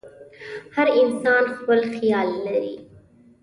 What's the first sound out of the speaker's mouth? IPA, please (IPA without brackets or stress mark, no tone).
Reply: h